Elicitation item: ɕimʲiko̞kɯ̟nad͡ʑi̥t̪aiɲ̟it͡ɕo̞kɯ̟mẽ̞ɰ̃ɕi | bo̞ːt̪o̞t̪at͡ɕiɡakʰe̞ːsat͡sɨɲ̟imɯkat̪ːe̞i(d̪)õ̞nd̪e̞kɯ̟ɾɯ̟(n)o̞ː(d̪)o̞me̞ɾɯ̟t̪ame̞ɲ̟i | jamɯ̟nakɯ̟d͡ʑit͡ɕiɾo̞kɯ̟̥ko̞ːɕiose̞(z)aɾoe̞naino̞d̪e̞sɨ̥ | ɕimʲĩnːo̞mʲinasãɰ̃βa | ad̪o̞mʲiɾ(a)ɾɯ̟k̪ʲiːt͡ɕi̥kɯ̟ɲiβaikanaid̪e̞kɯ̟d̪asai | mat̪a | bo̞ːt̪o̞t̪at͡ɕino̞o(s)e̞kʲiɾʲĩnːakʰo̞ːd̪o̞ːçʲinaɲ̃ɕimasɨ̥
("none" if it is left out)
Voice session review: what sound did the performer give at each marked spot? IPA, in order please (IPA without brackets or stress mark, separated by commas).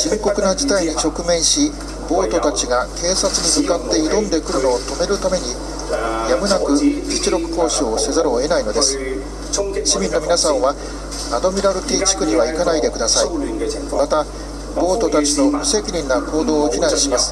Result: d̪, n, t̪, z, a, s